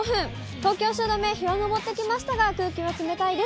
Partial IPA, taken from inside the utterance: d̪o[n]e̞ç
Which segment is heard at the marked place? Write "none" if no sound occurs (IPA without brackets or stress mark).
m